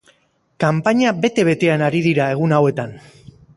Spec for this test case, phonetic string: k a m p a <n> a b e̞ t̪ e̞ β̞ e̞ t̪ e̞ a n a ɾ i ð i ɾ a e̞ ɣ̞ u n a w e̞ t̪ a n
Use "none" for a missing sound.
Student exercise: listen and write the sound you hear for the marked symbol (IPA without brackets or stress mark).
ɲ